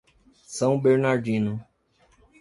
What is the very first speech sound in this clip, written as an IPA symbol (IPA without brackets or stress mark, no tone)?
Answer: s